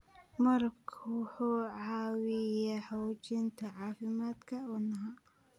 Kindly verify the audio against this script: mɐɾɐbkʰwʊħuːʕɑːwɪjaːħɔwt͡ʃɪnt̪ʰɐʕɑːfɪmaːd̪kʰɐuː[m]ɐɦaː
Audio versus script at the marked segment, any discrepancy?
yes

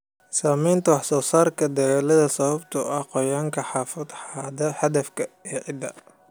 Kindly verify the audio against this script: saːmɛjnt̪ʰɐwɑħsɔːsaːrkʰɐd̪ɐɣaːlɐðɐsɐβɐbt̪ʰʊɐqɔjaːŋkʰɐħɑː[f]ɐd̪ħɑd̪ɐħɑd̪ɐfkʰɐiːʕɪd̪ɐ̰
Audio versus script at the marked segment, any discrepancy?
no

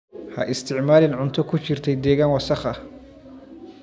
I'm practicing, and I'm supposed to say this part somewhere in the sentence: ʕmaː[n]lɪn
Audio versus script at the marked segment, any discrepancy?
yes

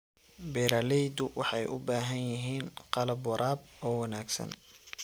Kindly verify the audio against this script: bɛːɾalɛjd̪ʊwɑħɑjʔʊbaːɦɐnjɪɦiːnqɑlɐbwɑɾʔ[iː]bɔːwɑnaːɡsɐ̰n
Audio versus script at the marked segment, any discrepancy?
yes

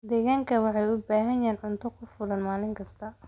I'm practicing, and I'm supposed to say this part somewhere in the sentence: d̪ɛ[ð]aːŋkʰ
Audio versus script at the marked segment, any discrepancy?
yes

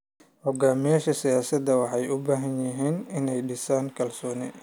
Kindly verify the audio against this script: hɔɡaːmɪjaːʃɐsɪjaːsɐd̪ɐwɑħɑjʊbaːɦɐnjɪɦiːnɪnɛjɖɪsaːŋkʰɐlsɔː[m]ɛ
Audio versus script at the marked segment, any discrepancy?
yes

